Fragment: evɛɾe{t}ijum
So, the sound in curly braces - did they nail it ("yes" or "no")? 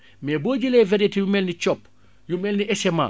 yes